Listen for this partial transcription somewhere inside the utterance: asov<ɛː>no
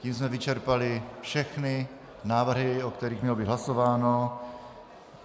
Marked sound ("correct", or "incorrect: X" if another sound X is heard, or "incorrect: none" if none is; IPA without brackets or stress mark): incorrect: aː